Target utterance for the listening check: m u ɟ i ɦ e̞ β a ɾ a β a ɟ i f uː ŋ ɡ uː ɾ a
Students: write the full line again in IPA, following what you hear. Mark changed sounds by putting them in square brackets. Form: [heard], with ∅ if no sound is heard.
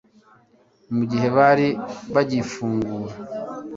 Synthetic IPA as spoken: m u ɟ i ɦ e̞ β a ɾ [i] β a ɟ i f uː ŋ ɡ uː ɾ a